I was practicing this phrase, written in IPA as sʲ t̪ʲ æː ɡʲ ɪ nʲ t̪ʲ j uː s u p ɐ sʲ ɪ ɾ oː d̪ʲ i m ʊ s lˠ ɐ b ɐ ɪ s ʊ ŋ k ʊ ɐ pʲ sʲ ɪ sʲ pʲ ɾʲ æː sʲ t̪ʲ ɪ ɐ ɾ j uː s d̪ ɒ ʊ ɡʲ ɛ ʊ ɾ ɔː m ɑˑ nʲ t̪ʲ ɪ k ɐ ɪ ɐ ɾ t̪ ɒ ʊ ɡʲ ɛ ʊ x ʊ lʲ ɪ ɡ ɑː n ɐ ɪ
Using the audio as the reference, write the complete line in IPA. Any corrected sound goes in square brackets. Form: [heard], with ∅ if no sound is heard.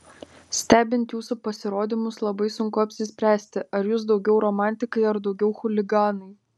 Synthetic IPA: sʲ t̪ʲ æː [bʲ] ɪ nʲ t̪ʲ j uː s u p ɐ sʲ ɪ ɾ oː d̪ʲ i m ʊ s lˠ ɐ b ɐ ɪ s ʊ ŋ k ʊ ɐ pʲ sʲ ɪ sʲ pʲ ɾʲ æː sʲ t̪ʲ ɪ ɐ ɾ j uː s d̪ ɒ ʊ ɡʲ ɛ ʊ ɾ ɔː m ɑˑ nʲ t̪ʲ ɪ k ɐ ɪ ɐ ɾ [d̪] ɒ ʊ ɡʲ ɛ ʊ x ʊ lʲ ɪ ɡ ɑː n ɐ ɪ